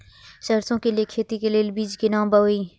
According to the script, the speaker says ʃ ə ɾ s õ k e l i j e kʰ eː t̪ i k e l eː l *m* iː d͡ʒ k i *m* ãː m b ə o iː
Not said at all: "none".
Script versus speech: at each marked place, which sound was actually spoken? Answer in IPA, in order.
b, n

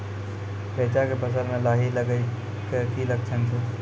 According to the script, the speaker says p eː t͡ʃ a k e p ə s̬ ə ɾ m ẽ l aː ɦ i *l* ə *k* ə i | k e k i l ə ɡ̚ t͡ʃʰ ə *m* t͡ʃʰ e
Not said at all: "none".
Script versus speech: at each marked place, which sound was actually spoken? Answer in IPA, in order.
l, ɡ, n

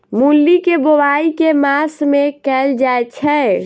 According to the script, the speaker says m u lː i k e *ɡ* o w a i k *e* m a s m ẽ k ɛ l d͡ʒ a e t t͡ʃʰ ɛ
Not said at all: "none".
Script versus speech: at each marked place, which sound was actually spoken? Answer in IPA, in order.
b, e

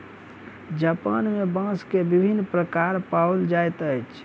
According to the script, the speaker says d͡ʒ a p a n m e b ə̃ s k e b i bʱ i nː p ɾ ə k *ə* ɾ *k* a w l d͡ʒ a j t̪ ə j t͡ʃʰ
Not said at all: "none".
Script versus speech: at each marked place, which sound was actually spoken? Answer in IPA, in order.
a, p

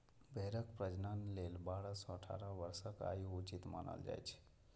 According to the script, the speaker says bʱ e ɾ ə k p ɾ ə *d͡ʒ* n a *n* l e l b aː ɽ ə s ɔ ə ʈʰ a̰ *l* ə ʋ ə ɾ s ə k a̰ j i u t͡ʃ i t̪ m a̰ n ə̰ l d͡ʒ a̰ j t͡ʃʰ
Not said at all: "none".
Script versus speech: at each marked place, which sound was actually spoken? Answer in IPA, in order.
d͡ʒ, n, ɾ

